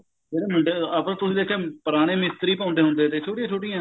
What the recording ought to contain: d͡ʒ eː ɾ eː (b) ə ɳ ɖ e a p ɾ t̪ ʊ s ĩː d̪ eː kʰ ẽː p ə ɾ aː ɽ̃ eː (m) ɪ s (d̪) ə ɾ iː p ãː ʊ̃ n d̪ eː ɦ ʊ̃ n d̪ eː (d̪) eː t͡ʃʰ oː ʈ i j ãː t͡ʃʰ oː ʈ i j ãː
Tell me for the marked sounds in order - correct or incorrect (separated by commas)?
incorrect, correct, incorrect, incorrect